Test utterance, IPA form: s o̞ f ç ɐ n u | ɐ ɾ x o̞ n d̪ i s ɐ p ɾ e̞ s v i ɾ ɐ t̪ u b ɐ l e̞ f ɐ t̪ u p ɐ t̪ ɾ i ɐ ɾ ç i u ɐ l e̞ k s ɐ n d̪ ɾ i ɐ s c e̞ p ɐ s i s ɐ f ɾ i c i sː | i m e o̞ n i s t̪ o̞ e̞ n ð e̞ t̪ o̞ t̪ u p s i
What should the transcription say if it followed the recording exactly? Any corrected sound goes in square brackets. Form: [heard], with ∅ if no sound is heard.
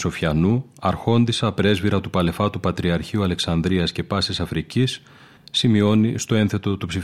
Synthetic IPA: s o̞ f ç ɐ n u | ɐ ɾ x o̞ n d̪ i s ɐ p ɾ e̞ [z] v i ɾ ɐ t̪ u [p] ɐ l e̞ f ɐ t̪ u p ɐ t̪ ɾ i ɐ ɾ ç i u ɐ l e̞ k s ɐ n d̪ ɾ i ɐ s c e̞ p ɐ s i s ɐ f ɾ i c i sː | i m [i] o̞ n i s t̪ o̞ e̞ n [θ] e̞ t̪ o̞ t̪ u p s i